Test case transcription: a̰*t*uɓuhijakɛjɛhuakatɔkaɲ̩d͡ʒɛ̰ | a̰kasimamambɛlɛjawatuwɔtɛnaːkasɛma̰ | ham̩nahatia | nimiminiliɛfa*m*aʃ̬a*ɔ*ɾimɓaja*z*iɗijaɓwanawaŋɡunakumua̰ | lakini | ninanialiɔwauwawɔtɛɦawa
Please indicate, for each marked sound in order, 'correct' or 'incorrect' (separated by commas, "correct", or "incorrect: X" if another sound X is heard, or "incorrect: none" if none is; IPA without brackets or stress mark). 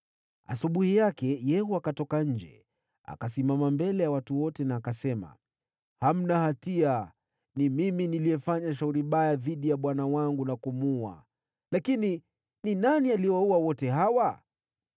incorrect: s, incorrect: ɲ, incorrect: u, incorrect: ð